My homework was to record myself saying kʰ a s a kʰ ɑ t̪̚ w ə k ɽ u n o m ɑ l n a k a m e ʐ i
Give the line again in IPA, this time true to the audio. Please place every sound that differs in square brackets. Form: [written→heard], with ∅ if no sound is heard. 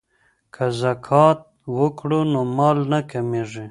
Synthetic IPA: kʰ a [s→z] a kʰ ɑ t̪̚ w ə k ɽ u n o m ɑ l n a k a m e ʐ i